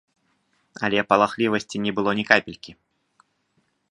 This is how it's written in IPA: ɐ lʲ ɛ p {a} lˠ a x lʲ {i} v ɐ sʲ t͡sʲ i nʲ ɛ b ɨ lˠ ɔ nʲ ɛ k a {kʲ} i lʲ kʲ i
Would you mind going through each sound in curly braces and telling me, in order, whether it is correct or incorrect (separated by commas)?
incorrect, correct, incorrect